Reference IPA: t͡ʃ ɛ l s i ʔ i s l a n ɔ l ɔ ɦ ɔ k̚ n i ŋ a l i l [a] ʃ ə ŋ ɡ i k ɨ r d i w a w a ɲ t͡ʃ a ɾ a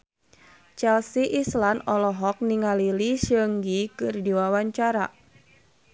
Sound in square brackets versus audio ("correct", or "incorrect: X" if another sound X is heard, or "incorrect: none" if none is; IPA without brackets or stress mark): incorrect: i